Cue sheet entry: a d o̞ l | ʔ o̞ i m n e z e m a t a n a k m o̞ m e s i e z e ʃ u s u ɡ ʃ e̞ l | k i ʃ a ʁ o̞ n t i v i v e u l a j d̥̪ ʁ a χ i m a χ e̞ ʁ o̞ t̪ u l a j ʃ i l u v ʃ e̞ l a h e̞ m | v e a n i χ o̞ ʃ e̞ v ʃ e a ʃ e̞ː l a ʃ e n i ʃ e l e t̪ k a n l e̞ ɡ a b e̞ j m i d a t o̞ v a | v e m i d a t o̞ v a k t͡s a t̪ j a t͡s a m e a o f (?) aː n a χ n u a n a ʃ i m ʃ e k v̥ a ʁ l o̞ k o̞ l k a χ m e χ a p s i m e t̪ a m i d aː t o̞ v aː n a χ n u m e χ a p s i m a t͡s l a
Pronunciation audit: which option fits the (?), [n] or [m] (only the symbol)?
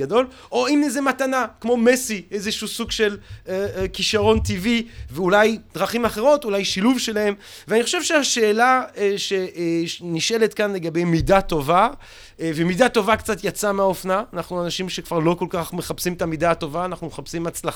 n